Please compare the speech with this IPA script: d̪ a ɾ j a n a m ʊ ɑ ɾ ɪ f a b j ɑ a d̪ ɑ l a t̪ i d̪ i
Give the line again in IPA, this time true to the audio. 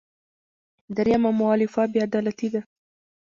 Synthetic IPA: d̪ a ɾ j a m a m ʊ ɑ l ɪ f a b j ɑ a d̪ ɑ l a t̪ i d̪ a